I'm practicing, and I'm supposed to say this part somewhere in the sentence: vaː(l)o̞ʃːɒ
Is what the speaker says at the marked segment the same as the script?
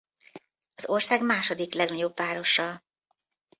no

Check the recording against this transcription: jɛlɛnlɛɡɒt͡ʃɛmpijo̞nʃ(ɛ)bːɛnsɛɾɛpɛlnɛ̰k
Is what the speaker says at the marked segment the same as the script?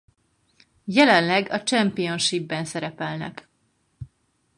no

